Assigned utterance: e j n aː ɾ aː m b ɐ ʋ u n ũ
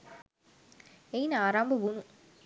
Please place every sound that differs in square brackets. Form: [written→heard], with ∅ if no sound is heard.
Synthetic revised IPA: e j n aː ɾ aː m b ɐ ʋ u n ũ